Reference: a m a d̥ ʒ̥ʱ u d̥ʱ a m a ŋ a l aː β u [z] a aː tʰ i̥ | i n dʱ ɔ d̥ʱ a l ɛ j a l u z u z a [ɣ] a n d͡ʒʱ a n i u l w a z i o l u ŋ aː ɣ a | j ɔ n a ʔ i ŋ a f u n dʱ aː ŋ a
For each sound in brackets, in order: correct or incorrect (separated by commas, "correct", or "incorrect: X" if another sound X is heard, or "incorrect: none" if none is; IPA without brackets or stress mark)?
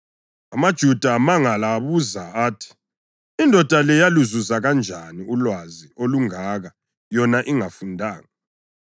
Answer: correct, correct